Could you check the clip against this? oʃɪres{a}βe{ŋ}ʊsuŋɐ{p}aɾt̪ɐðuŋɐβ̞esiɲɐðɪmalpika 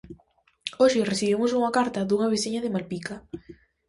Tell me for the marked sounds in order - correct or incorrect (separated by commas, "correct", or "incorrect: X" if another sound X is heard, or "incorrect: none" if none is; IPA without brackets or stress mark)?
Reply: incorrect: i, incorrect: m, incorrect: k